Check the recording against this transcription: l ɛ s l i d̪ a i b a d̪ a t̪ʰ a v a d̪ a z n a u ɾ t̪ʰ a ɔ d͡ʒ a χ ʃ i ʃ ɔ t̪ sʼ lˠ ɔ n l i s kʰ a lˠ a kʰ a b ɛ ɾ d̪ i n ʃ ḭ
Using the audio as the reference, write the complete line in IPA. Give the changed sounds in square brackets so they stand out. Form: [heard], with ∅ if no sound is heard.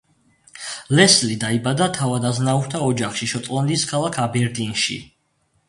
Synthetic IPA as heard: l ɛ s l i d̪ a i b a d̪ a t̪ʰ a v a d̪ a z n a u ɾ t̪ʰ a ɔ d͡ʒ a χ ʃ i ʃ ɔ t̪ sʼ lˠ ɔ n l i s kʰ a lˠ a kʰ a b ɛ ɾ d̪ i n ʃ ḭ